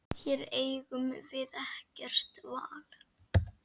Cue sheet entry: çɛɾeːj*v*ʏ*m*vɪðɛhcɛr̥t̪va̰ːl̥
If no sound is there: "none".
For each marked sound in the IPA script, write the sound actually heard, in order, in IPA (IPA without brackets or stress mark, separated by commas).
ɣ, m